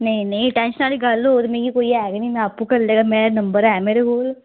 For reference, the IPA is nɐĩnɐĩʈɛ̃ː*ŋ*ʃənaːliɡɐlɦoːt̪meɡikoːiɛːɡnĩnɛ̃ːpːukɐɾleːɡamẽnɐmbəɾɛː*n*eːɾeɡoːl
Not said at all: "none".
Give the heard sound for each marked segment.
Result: n, m

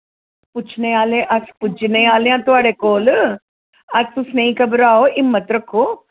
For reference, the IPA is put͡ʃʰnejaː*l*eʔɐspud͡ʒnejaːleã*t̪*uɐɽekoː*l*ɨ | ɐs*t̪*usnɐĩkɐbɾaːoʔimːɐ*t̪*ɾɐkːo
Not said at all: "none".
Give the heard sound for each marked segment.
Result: l, t̪, l, t̪, t̪

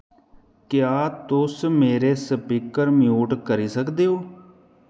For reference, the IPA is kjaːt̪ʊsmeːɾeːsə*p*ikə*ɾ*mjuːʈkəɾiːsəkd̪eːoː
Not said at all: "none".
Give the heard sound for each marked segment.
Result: p, ɾ

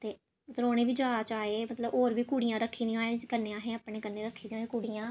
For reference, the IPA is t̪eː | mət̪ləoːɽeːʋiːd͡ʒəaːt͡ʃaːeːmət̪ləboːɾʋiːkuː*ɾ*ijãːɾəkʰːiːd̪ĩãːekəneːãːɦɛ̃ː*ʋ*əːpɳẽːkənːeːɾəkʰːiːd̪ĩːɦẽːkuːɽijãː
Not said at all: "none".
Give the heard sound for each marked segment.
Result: ɽ, none

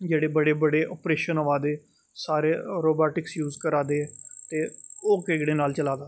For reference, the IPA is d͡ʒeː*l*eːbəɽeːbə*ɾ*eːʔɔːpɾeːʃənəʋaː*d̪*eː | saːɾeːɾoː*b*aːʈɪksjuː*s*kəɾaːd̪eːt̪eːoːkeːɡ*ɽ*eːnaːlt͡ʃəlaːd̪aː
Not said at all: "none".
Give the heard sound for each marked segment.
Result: ɽ, ɽ, d̪, b, z, ɽ

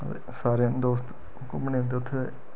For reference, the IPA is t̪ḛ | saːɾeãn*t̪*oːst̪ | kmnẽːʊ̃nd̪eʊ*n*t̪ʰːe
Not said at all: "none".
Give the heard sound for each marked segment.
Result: d̪, none

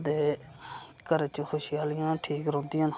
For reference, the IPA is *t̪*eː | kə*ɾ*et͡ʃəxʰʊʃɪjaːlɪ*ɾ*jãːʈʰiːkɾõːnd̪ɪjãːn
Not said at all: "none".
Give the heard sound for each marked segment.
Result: d̪, ɾ, none

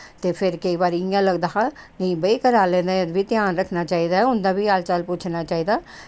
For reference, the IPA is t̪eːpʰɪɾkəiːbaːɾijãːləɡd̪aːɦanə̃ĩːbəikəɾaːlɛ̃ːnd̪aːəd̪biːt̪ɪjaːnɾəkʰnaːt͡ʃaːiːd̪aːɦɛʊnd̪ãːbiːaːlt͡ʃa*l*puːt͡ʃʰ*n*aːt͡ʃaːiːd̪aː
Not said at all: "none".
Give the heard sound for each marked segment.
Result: l, n

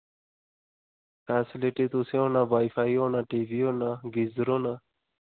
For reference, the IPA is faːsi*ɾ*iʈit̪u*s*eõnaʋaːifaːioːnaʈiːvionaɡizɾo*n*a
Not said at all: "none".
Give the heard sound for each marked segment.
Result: l, s, n

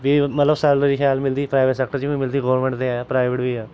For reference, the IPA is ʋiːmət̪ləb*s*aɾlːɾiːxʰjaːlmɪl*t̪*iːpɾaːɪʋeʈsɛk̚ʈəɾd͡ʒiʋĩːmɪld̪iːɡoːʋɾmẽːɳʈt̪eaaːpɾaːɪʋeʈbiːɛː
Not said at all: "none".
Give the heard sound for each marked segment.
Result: s, d̪

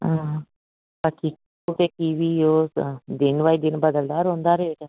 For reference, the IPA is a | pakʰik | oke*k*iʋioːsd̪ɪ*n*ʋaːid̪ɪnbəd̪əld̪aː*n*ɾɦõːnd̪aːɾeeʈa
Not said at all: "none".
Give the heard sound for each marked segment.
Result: k, n, none

